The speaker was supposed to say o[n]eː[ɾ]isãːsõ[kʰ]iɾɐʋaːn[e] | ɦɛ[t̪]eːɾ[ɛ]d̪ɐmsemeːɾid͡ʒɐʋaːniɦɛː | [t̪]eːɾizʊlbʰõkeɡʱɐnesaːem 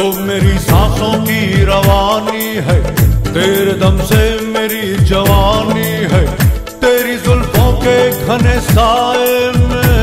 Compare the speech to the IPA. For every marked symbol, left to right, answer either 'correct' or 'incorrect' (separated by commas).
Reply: incorrect, correct, incorrect, incorrect, correct, incorrect, correct